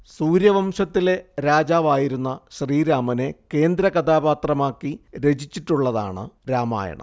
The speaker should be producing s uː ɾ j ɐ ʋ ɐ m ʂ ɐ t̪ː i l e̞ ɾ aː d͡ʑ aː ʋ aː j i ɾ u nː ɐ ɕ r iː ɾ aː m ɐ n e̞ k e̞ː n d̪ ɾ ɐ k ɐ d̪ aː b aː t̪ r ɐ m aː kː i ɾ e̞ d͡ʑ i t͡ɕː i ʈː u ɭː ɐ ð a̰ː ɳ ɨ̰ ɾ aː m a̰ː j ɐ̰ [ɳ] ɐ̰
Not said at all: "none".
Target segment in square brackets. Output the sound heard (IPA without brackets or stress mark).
ɳ